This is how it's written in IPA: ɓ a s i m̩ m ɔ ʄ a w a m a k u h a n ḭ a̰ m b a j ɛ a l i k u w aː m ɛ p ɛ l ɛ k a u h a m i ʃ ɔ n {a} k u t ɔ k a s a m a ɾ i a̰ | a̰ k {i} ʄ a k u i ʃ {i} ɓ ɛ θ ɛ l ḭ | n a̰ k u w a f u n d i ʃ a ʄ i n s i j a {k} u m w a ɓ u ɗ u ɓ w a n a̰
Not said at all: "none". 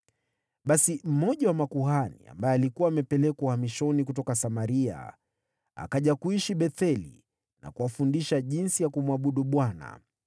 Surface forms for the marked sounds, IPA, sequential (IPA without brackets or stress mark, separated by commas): i, a, i, k